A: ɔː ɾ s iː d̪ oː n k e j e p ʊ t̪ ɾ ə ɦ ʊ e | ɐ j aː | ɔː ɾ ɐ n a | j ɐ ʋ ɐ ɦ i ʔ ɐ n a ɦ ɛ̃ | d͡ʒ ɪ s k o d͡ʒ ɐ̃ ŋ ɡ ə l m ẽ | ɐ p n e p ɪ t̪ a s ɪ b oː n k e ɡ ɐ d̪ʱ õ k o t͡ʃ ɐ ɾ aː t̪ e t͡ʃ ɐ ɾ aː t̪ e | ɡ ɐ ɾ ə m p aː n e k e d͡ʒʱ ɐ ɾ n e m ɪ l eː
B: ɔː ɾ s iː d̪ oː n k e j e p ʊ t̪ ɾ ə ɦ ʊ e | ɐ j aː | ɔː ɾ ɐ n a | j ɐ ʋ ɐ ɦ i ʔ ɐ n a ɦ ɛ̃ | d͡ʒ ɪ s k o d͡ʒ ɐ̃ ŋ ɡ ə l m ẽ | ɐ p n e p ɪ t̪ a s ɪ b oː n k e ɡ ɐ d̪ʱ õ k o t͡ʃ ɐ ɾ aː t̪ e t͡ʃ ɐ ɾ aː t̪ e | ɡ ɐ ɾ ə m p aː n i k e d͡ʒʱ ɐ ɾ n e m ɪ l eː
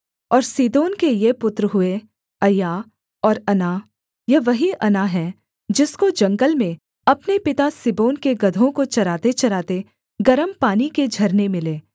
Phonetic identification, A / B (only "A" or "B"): B